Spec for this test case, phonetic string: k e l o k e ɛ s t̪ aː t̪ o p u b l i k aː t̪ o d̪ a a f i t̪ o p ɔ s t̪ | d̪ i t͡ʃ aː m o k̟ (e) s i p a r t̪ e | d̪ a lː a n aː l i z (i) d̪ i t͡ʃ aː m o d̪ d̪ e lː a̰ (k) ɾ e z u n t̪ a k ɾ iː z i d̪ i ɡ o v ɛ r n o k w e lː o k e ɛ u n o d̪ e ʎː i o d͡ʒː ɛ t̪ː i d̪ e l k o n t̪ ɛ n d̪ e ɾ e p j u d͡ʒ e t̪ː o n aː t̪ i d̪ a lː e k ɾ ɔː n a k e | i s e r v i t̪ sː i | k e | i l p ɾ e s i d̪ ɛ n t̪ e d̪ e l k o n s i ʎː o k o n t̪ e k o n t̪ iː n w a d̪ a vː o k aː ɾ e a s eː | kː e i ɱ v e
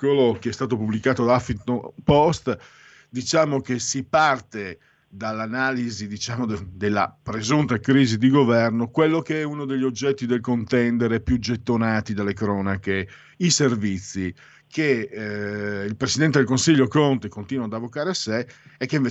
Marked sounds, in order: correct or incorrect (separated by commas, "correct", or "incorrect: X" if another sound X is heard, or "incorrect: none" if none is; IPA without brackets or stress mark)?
correct, correct, incorrect: p